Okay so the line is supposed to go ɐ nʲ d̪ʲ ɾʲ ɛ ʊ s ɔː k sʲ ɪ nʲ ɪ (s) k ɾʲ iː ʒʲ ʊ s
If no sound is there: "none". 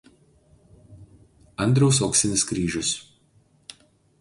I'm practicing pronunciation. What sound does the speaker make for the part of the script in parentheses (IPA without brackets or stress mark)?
s